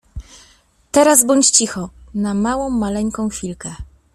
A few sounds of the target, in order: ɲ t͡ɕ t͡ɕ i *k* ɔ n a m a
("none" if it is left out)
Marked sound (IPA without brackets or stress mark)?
x